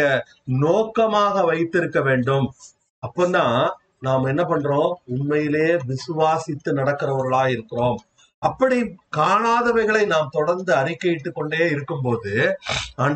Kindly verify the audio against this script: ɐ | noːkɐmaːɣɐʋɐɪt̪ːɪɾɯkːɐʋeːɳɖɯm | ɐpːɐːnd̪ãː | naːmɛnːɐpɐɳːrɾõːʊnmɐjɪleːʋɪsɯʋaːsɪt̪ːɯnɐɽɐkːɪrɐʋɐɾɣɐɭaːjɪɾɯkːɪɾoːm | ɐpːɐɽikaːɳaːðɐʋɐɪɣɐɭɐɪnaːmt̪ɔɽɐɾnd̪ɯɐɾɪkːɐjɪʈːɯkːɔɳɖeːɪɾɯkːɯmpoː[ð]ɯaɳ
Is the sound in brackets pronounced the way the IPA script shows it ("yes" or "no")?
yes